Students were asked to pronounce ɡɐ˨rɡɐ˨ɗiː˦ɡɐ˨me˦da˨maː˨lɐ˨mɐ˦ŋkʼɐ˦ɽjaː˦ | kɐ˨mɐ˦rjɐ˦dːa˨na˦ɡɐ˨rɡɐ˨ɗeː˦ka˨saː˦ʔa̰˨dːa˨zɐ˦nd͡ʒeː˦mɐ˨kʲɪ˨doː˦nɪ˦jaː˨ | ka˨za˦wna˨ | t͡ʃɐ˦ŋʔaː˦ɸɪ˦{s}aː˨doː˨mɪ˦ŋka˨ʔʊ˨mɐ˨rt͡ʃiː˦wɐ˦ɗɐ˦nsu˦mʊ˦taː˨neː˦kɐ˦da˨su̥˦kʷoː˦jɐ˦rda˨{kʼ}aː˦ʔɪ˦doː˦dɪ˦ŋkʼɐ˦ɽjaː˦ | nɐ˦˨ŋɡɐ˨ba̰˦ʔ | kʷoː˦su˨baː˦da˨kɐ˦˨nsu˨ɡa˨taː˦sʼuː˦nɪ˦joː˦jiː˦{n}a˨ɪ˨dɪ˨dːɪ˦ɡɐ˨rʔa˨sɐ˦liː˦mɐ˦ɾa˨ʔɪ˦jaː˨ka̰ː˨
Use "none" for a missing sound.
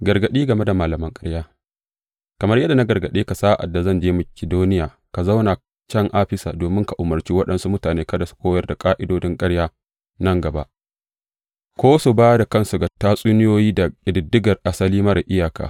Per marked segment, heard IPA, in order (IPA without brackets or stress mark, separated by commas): s, kʼ, d